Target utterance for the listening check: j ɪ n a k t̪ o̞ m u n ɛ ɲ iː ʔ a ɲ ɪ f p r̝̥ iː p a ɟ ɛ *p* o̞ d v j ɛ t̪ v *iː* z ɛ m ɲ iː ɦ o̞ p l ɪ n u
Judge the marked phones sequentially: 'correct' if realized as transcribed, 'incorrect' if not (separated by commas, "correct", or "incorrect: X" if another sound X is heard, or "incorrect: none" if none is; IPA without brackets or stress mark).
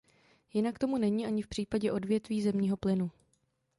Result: incorrect: ʔ, correct